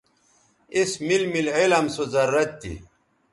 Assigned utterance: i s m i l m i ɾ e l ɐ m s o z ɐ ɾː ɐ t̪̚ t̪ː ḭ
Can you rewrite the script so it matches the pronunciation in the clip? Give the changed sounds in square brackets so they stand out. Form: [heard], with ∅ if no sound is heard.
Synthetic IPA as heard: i s m i l m i [l] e l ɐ m s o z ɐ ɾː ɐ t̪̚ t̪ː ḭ